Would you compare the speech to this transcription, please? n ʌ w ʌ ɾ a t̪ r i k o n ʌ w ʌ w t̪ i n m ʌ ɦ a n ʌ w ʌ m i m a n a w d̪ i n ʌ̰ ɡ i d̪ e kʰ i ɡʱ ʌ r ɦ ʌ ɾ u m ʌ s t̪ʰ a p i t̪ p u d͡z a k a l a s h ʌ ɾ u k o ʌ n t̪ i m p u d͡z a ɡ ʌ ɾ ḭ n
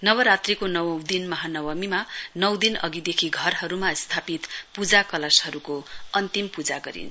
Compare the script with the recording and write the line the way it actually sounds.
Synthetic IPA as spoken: n ʌ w ʌ ɾ a t̪ r i k o n ʌ w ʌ w d̪ i n m ʌ ɦ a n ʌ w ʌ m i m a n ʌ w d̪ i n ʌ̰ ɡ i d̪ e kʰ i ɡʱ ʌ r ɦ ʌ ɾ u m a s t̪ʰ a p i t̪ p u d͡z a k ʌ l a s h ʌ ɾ u k o ʌ n t̪ i m p u d͡z a ɡ ʌ ɾ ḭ n